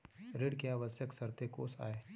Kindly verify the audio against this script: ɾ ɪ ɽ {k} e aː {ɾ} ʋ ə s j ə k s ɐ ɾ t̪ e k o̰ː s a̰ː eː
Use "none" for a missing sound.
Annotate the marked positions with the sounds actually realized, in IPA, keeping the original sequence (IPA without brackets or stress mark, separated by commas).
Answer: k, none